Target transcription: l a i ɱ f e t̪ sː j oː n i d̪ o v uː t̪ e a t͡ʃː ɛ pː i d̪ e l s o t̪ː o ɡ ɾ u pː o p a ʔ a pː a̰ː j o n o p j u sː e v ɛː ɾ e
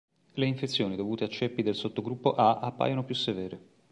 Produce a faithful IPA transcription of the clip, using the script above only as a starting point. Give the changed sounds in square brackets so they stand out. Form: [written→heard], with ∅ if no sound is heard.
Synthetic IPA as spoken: l [a→e] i ɱ f e t̪ sː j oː n i d̪ o v uː t̪ e a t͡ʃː ɛ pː i d̪ e l s o t̪ː o ɡ ɾ u pː o [p→ʔ] a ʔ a pː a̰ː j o n o p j u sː e v ɛː ɾ e